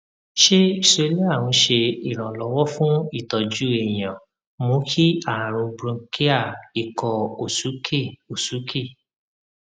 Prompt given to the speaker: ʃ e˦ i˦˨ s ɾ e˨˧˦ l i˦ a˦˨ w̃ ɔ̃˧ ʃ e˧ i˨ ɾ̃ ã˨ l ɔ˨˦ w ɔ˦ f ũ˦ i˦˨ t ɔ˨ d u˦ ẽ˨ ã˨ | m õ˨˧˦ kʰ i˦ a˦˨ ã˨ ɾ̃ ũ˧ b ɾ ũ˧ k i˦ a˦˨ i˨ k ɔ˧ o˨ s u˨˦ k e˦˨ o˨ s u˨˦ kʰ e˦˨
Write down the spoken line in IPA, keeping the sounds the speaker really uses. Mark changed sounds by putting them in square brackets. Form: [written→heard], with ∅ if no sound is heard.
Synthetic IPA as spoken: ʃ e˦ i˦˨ s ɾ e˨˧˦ l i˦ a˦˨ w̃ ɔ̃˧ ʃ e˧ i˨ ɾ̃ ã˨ l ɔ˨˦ w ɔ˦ f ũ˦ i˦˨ t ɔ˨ [d→d͡ʒ] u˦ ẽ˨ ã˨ | m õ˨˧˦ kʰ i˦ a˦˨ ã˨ ɾ̃ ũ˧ b ɾ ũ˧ k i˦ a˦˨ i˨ k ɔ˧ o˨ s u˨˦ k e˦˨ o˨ s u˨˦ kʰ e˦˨

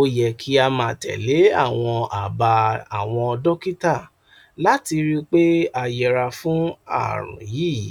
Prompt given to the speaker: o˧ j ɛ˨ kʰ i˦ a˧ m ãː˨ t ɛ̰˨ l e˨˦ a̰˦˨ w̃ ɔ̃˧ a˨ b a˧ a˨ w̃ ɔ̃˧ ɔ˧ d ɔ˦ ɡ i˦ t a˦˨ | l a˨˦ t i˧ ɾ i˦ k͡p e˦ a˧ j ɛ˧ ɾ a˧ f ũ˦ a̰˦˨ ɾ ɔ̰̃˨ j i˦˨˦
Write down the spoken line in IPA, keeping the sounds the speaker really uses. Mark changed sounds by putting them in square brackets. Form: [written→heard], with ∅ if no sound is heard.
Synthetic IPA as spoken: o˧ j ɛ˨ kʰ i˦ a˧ m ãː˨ t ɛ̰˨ l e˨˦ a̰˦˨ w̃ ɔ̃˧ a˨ b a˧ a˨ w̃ ɔ̃˧ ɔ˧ d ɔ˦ [ɡ→k] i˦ t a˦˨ | l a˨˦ t i˧ ɾ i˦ k͡p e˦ a˧ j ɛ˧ ɾ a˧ f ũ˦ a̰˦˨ ɾ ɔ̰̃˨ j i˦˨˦

